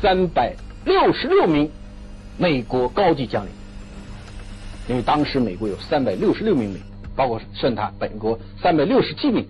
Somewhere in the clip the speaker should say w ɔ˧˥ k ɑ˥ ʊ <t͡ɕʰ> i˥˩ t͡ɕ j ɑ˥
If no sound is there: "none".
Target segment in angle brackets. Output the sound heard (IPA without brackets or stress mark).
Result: t͡ɕ